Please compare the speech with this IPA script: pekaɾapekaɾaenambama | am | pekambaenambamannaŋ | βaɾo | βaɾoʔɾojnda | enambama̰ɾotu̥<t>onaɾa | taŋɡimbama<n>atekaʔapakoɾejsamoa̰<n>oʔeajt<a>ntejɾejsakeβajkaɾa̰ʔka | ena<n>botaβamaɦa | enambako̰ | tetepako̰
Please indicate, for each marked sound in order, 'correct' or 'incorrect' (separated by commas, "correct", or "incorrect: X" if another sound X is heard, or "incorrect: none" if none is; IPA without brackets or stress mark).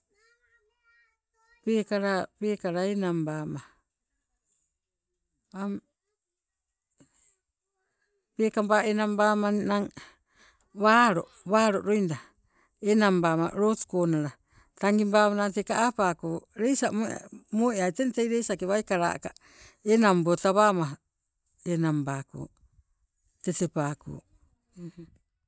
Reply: incorrect: k, correct, incorrect: m, incorrect: e, incorrect: m